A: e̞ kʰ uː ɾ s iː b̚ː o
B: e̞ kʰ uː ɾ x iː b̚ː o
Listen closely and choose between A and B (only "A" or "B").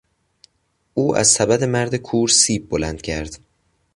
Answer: A